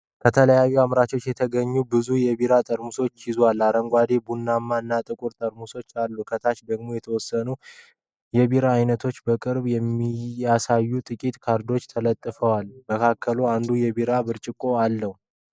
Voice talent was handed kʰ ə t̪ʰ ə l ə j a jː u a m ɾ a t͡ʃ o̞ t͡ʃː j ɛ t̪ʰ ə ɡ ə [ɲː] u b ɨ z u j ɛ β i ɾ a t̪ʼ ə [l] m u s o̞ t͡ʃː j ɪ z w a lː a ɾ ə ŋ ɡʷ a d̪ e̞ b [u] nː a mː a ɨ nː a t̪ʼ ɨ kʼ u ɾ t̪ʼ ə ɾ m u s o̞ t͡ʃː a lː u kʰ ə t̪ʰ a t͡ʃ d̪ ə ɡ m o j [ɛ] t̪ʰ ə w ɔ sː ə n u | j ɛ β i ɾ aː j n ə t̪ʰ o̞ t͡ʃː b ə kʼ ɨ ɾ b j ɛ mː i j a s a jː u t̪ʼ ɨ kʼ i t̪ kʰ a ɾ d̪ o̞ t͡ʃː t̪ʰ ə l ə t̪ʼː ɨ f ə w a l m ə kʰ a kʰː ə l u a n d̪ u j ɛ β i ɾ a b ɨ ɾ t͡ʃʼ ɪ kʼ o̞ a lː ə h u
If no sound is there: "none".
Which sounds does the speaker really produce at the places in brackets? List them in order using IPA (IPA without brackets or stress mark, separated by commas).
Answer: ɲː, ɾ, u, ɛ